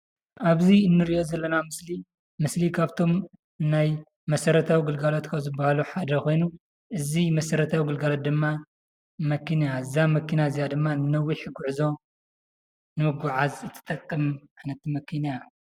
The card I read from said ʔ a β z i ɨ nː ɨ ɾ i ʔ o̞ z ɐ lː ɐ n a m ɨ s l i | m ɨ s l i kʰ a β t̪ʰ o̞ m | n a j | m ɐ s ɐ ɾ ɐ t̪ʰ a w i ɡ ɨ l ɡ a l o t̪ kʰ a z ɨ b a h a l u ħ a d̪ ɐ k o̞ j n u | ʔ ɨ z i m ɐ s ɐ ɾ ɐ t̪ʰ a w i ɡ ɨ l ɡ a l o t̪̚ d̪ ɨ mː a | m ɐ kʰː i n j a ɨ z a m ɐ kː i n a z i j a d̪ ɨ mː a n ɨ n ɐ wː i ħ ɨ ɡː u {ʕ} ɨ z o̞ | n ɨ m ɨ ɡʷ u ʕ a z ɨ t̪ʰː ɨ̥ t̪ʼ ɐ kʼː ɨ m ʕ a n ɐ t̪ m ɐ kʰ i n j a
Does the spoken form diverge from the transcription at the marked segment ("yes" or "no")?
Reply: no